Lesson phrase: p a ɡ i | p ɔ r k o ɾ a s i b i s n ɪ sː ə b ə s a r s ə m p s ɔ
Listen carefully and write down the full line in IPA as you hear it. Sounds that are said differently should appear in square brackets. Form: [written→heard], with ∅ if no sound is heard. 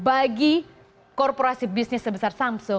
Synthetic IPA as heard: [p→b] a ɡ i | [p→k] ɔ r [k→p] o ɾ a s i b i s n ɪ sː ə b ə s a r s [ə→a] m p s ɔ